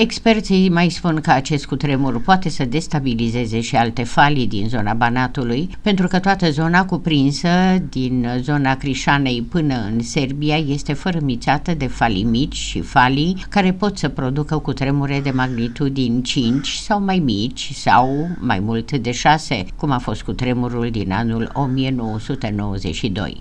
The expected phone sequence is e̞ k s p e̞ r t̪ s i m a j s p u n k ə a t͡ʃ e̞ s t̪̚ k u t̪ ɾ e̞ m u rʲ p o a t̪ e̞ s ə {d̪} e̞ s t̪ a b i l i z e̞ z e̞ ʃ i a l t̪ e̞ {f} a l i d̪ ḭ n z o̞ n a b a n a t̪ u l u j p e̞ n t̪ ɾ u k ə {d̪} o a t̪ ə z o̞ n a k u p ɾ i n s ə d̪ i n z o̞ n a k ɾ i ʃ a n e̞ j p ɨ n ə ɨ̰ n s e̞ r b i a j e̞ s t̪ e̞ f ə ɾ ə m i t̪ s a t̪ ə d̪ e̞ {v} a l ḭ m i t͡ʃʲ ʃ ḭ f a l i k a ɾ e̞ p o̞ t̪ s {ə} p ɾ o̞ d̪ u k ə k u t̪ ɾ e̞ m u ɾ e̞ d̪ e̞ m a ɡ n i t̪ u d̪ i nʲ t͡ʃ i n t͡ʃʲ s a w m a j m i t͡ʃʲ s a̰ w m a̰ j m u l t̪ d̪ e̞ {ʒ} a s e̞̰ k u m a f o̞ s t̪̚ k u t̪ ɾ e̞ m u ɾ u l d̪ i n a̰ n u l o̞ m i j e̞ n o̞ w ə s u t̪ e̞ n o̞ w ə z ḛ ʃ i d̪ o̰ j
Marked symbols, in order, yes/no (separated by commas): yes, yes, no, no, yes, no